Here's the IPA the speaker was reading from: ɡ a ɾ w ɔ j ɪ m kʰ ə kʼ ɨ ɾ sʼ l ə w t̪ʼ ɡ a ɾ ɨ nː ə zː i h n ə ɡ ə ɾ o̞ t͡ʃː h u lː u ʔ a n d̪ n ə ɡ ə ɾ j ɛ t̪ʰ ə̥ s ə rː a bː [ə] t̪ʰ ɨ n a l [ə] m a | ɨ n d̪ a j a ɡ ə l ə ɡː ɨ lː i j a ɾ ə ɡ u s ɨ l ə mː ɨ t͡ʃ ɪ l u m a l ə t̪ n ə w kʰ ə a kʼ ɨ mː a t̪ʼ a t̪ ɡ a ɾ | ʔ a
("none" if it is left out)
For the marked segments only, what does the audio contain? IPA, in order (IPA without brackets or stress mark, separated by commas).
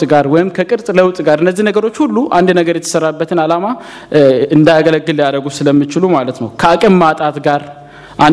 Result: ə, a